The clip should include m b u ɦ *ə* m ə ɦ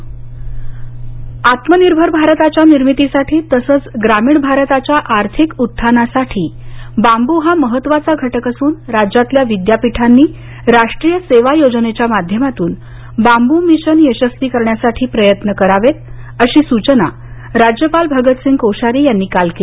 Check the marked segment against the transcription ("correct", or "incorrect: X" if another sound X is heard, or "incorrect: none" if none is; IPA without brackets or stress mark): incorrect: a